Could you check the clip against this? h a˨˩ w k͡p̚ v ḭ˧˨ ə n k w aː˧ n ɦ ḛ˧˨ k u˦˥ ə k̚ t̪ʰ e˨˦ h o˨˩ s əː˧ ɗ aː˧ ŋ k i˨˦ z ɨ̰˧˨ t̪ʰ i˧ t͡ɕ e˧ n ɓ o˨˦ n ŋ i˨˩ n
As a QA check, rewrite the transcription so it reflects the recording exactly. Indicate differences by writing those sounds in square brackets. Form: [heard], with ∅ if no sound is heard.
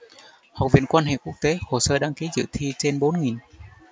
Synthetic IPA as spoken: h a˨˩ w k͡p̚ v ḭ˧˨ ə n k w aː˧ n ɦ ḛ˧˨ k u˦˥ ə k̚ [t̪] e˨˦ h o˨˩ s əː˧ ɗ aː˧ ŋ k i˨˦ z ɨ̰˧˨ t̪ʰ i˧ t͡ɕ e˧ n ɓ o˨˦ n ŋ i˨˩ n